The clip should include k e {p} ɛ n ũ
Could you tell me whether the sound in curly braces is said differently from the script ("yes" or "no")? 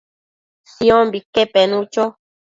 no